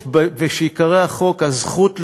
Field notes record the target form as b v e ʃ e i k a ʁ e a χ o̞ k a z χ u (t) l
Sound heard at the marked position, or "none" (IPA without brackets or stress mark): t